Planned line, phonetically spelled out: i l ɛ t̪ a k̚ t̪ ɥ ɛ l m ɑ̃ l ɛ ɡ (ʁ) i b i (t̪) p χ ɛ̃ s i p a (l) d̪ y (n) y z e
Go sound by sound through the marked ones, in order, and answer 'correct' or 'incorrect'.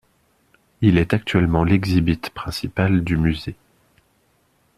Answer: incorrect, correct, correct, incorrect

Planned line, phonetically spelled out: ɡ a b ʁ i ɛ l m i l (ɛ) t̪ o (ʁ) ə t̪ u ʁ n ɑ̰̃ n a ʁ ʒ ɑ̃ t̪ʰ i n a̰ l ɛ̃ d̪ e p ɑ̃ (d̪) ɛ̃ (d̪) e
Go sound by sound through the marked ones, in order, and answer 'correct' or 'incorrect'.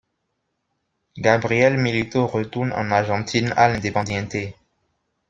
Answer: incorrect, correct, correct, incorrect

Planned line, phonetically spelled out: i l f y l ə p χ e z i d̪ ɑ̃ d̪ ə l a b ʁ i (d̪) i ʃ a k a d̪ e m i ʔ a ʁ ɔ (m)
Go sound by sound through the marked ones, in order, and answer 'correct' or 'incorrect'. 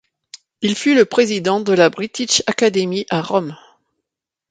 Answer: incorrect, correct

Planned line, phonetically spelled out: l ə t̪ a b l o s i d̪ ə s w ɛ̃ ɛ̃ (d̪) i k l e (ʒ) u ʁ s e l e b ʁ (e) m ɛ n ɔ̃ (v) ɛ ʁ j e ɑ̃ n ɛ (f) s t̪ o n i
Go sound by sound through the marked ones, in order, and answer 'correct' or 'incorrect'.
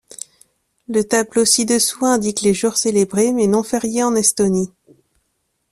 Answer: correct, correct, correct, incorrect, incorrect

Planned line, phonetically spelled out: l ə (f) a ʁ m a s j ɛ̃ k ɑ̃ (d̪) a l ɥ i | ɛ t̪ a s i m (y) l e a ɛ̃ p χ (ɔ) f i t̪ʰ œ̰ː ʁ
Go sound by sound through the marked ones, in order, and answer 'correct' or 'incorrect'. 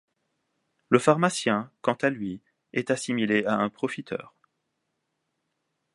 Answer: correct, incorrect, incorrect, correct

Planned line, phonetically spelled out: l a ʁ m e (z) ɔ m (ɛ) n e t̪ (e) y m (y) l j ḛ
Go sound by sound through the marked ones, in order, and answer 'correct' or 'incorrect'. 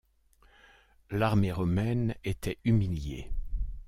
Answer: incorrect, correct, incorrect, incorrect

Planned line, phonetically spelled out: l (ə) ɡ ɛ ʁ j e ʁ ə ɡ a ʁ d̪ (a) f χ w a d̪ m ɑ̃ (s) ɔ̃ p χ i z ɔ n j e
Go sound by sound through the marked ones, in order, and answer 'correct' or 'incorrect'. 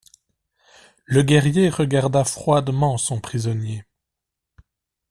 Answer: correct, correct, correct

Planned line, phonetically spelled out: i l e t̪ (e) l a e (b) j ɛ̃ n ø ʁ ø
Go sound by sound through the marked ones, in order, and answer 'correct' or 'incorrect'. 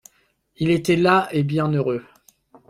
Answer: incorrect, correct

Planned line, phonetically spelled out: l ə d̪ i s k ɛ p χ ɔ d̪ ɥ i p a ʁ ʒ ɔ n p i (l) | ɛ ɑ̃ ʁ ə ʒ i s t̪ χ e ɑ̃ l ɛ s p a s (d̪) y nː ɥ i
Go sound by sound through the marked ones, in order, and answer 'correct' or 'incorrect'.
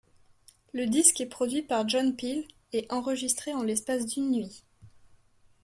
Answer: correct, correct

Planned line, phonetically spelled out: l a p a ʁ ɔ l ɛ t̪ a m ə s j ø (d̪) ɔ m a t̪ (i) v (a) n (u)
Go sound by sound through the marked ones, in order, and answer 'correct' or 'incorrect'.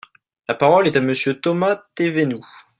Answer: incorrect, incorrect, incorrect, correct

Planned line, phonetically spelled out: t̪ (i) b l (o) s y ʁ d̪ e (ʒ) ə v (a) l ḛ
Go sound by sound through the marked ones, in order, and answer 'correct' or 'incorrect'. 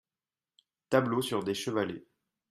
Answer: incorrect, correct, incorrect, correct

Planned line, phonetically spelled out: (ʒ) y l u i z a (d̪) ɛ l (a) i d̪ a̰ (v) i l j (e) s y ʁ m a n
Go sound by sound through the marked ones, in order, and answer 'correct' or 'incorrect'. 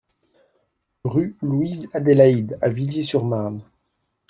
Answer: incorrect, correct, correct, correct, correct

